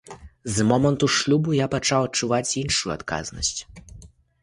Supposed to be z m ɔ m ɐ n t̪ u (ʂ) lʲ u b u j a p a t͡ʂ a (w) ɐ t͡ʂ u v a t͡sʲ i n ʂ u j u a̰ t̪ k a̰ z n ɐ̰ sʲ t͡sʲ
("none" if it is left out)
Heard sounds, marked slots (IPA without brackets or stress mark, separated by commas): ʂ, w